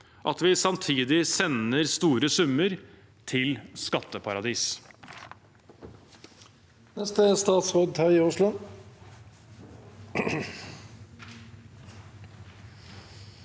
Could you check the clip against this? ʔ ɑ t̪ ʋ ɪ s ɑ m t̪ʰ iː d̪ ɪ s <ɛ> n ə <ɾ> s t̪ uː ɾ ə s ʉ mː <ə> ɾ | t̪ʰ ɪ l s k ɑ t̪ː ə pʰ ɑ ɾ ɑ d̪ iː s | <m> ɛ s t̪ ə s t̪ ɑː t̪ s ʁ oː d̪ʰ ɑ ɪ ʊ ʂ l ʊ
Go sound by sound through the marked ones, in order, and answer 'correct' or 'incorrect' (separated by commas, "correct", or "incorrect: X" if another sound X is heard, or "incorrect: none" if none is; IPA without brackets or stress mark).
correct, correct, correct, incorrect: n